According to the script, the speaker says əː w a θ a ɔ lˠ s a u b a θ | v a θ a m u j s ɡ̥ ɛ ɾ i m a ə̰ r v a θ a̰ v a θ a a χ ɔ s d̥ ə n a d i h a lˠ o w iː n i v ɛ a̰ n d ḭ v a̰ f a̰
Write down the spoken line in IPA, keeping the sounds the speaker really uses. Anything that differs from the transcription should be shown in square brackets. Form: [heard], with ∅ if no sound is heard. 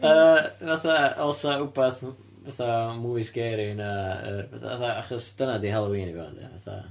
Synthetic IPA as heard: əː [v] a θ a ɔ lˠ s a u b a θ | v a θ a m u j s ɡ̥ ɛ ɾ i [n] a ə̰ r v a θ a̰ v a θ a a χ ɔ s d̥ ə n a d i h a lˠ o w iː n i v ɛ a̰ n d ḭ v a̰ [θ] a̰